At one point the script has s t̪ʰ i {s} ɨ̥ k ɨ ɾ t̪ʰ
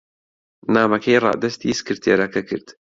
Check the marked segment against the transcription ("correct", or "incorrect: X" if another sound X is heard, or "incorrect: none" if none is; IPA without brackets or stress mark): correct